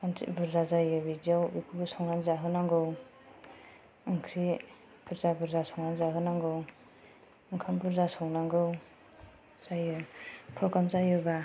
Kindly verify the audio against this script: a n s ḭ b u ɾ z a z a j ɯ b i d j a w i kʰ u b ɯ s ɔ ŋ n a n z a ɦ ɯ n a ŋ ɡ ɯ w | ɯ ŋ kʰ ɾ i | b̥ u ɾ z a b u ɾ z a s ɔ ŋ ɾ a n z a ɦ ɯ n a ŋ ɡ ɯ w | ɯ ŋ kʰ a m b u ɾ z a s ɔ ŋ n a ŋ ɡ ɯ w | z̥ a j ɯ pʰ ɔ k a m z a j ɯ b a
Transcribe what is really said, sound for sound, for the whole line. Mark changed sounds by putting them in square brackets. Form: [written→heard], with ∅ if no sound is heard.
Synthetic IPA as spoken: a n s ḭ b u ɾ z a z a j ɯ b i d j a w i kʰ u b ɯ s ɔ ŋ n a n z a ɦ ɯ n a ŋ ɡ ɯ w | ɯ ŋ kʰ ɾ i | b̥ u ɾ z a b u ɾ z a s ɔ ŋ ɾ a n z a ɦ ɯ n a ŋ ɡ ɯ w | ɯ ŋ kʰ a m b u ɾ z a s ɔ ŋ n a ŋ ɡ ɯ w | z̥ a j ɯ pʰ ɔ k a m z a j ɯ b a